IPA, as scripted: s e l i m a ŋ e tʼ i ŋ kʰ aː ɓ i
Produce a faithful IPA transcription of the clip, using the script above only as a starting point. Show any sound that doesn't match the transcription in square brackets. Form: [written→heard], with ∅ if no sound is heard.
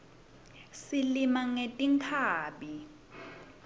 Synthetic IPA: s [e→i] l i m a ŋ e tʼ i ŋ kʰ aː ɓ i